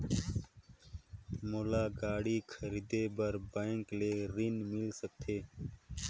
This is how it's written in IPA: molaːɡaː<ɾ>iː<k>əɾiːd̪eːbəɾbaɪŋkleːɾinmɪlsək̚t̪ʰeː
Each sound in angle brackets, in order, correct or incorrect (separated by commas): incorrect, incorrect